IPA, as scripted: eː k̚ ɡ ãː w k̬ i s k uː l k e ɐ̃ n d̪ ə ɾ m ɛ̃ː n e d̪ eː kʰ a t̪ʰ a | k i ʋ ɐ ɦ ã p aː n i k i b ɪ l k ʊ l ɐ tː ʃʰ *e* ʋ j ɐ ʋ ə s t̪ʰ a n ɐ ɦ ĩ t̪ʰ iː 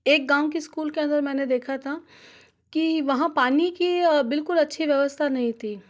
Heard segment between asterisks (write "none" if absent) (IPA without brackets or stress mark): i